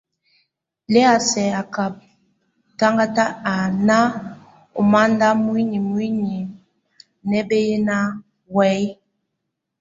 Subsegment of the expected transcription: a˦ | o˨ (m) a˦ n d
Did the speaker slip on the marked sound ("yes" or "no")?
no